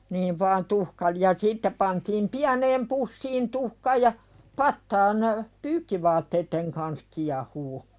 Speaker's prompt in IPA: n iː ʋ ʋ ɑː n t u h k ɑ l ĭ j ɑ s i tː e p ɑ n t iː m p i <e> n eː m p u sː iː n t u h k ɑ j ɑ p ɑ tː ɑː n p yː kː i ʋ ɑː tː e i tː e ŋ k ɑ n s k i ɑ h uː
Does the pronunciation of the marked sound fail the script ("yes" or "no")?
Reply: yes